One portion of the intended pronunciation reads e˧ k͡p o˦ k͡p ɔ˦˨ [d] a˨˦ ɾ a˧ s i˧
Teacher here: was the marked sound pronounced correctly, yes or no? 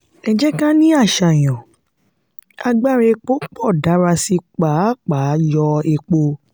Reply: yes